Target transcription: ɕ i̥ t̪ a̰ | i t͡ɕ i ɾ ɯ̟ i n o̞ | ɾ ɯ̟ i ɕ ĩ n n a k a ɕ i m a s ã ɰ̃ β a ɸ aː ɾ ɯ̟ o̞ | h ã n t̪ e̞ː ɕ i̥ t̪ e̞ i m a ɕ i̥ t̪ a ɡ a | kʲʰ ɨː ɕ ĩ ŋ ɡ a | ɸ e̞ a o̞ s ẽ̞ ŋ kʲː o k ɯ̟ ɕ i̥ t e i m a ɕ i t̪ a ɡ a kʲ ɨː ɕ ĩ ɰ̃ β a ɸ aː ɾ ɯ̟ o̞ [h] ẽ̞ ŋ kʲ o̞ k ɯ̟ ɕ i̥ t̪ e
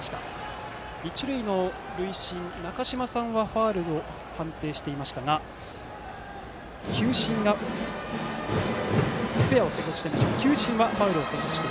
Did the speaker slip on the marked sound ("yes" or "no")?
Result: yes